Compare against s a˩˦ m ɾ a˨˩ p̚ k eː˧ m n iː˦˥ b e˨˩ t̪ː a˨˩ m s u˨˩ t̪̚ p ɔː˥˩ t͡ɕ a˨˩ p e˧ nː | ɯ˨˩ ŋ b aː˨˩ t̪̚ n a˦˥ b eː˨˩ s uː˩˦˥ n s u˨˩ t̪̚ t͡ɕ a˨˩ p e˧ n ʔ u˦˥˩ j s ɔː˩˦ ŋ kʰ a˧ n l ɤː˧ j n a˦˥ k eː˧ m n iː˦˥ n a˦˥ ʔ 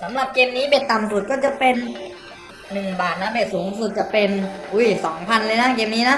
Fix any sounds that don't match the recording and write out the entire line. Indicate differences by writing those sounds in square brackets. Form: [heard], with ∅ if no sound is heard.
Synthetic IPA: s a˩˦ m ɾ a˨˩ p̚ k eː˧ m n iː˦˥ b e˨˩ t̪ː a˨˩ m s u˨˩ t̪̚ [k] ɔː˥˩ t͡ɕ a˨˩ p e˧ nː | ɯ˨˩ ŋ b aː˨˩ t̪̚ n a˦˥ b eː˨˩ s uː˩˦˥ [ŋ] s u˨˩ t̪̚ t͡ɕ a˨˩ p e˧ n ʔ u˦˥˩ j s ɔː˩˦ ŋ [pʰ] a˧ n l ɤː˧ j n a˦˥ k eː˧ m n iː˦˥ n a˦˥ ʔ